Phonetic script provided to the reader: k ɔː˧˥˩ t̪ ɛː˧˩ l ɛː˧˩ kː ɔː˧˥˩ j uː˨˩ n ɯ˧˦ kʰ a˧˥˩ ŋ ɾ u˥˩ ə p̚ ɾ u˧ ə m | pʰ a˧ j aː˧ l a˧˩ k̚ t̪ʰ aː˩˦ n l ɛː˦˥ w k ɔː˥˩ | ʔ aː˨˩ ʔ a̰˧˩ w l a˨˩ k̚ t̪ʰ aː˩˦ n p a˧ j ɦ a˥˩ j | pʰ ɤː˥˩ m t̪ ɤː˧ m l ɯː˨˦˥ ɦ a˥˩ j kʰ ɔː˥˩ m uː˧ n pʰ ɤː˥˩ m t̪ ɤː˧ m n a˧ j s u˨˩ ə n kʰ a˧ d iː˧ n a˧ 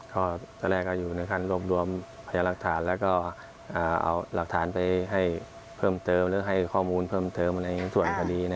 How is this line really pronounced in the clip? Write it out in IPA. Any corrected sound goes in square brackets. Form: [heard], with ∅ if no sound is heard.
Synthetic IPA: k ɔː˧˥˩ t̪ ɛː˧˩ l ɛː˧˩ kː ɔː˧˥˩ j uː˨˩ n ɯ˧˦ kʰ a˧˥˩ [n] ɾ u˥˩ ə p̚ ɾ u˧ ə m | pʰ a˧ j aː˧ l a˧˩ k̚ t̪ʰ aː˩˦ n l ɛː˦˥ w k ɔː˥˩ | ʔ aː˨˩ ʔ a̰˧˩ w l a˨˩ k̚ t̪ʰ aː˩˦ n p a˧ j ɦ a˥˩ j | pʰ ɤː˥˩ m t̪ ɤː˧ m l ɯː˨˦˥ ɦ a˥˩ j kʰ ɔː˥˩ m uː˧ n pʰ ɤː˥˩ m t̪ ɤː˧ m n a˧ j s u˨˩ ə n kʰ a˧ d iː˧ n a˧